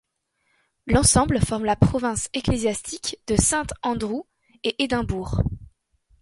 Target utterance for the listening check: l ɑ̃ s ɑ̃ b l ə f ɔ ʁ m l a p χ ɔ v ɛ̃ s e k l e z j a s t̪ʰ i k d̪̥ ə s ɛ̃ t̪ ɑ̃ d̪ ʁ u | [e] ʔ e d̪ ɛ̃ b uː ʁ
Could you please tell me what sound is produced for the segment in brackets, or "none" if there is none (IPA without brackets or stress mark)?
e